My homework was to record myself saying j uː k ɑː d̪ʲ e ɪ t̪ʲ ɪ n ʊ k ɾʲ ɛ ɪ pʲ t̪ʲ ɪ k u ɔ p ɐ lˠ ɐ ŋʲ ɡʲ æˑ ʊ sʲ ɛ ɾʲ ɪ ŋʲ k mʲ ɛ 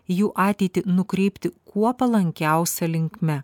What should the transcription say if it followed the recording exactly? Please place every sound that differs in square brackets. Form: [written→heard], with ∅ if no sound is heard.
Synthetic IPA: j uː [k→ʔ] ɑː [d̪ʲ→t̪ʲ] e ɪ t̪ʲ ɪ n ʊ k ɾʲ ɛ ɪ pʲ t̪ʲ ɪ k u ɔ p ɐ lˠ ɐ ŋʲ [ɡʲ→kʲ] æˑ ʊ sʲ ɛ [ɾʲ→lʲ] ɪ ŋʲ k mʲ ɛ